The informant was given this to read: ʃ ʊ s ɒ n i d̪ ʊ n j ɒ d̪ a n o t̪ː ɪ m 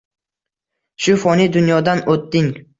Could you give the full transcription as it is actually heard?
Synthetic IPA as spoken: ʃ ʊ f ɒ n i d̪ ʊ n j ɒ d̪ a n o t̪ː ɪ ŋ